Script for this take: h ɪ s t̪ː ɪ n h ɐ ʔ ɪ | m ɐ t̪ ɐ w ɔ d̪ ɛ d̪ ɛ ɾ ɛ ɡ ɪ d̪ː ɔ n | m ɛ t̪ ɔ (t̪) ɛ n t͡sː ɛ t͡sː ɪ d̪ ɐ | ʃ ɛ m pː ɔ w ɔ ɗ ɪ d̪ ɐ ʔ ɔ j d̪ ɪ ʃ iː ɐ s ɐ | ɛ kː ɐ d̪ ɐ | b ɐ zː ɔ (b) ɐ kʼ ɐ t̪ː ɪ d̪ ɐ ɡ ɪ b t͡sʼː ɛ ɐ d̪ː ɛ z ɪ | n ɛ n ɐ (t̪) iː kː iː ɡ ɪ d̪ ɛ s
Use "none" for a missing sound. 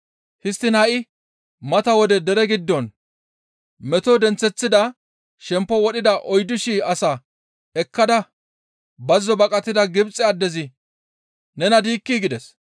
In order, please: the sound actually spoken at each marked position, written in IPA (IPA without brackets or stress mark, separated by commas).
d̪, b, d̪